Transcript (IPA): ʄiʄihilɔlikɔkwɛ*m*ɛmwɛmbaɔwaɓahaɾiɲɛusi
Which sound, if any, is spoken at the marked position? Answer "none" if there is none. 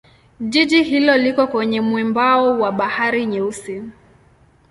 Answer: ɲ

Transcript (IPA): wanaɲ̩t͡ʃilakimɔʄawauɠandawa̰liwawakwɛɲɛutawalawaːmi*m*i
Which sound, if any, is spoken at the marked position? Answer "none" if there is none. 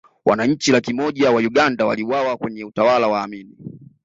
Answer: n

